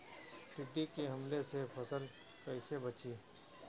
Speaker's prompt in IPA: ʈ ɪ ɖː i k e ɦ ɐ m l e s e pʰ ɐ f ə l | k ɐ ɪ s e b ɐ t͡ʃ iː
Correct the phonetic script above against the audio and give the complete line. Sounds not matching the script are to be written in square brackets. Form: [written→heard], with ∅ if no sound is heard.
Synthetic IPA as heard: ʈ ɪ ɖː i k e ɦ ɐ m l e s e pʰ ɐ [f→s] ə l | k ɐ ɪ s e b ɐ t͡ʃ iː